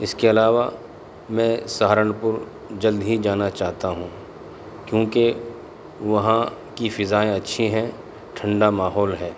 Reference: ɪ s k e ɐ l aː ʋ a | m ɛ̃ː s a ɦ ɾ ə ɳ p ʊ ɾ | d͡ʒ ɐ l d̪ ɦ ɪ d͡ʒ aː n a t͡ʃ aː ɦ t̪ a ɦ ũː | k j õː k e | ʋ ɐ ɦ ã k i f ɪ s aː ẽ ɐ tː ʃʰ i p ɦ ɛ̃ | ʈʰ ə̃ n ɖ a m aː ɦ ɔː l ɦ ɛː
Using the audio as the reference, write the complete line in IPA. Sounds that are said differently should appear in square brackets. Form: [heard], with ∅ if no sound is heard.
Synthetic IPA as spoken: ɪ s k e ɐ l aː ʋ a | m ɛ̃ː s a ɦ ɾ ə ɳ p ʊ ɾ | d͡ʒ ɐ l d̪ ɦ [i] d͡ʒ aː n a t͡ʃ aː ɦ t̪ a ɦ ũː | k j õː k e | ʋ ɐ ɦ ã k i f ɪ [z] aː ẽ ɐ tː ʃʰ i [∅] ɦ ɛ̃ | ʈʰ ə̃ [ɳ] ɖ a m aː ɦ ɔː l ɦ ɛː